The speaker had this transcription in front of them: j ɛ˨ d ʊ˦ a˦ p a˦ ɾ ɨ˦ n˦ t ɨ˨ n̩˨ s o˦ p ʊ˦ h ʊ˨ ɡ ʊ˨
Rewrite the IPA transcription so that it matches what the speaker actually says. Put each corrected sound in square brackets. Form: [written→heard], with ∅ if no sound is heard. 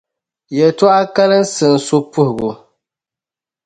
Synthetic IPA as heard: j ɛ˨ [d→t] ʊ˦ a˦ [p→k] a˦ [ɾ→l] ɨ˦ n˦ [t→s] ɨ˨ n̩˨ s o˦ p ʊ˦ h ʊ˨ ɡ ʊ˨